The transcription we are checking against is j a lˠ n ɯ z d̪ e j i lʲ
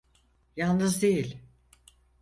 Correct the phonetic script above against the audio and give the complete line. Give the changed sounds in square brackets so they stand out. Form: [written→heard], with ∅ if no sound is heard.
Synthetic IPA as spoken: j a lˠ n ɯ z d̪ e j i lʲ